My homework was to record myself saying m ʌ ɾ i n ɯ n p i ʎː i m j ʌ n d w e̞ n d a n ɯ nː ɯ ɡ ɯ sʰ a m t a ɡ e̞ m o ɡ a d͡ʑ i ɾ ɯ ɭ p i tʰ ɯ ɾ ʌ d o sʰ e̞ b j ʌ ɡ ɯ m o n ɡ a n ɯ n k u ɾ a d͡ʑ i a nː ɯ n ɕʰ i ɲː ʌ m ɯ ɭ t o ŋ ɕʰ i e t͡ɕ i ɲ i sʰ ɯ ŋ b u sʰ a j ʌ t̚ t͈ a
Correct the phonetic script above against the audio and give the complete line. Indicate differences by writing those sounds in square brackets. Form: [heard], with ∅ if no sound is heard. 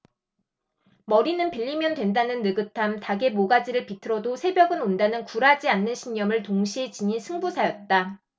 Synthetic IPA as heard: m ʌ ɾ i n ɯ n p i ʎː i m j ʌ n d w e̞ n d a n ɯ nː ɯ ɡ ɯ [tʰ] a m t a ɡ e̞ m o ɡ a d͡ʑ i ɾ ɯ ɭ p i tʰ ɯ ɾ ʌ d o sʰ e̞ b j ʌ ɡ ɯ [n] o n [d] a n ɯ n k u ɾ a d͡ʑ i a nː ɯ n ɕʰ i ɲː ʌ m ɯ ɭ t o ŋ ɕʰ i e t͡ɕ i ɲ i sʰ ɯ ŋ b u sʰ a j ʌ t̚ t͈ a